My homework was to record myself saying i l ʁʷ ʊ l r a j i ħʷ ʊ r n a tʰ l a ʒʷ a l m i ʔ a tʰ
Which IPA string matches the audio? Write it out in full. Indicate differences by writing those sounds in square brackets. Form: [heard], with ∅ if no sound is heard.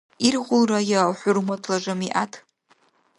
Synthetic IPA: i [r] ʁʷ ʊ l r a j [a] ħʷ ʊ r [m] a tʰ l a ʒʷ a [∅] m i ʔ a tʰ